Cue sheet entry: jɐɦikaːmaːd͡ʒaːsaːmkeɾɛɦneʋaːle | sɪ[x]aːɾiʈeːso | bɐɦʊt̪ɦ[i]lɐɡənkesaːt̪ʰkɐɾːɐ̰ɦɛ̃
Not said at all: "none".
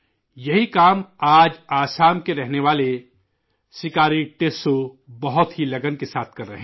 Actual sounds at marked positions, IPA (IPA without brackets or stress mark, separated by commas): k, i